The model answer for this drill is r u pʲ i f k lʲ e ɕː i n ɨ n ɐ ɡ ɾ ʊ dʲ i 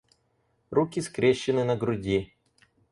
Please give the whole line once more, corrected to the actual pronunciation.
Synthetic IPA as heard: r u kʲ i s k ɾʲ e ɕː ɪ n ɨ n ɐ ɡ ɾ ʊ dʲ i